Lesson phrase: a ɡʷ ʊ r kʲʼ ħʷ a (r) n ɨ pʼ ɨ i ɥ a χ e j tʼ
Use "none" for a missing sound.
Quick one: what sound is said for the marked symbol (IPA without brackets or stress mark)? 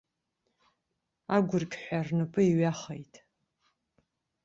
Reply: r